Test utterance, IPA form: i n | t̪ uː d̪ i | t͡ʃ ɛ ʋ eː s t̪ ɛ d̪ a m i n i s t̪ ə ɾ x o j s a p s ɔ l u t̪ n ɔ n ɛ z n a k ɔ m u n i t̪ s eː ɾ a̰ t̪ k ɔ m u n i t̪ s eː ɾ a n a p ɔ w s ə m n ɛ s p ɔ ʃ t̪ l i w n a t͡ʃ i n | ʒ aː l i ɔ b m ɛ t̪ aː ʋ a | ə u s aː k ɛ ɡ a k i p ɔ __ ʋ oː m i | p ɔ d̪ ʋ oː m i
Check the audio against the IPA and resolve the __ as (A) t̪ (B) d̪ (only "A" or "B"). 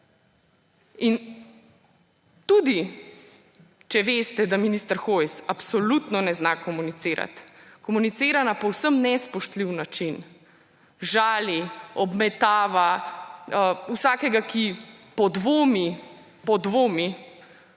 B